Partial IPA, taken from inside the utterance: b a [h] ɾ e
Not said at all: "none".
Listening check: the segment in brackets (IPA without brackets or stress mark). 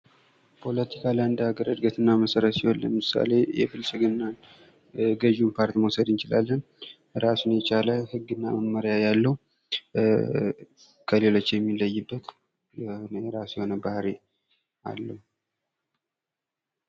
h